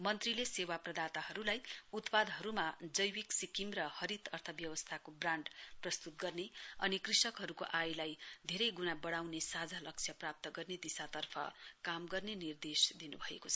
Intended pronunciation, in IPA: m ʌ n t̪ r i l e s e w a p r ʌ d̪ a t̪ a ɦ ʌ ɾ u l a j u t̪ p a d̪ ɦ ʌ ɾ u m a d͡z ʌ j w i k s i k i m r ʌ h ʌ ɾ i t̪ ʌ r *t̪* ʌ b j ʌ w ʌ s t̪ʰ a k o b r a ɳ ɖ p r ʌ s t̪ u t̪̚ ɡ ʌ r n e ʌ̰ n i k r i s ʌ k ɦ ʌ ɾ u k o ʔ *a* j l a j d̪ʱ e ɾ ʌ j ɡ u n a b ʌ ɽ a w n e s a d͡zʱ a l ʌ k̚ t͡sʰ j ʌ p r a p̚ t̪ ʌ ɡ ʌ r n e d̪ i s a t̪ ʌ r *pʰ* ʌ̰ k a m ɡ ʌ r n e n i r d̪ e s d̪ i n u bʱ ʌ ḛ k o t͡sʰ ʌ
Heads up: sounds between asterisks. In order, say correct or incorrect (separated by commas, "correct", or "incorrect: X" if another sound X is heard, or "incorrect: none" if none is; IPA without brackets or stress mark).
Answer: incorrect: t̪ʰ, correct, correct